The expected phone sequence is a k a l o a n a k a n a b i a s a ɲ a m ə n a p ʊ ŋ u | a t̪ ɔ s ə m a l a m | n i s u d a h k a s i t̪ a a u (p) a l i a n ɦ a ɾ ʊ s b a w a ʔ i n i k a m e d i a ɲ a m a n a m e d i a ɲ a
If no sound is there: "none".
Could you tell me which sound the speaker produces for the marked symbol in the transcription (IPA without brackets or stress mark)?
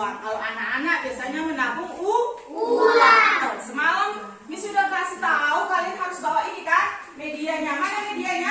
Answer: k